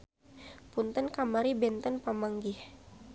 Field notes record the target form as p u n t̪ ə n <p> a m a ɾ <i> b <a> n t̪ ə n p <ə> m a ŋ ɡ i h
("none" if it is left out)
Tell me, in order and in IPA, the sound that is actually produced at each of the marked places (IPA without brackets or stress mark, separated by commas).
k, i, ɛ, a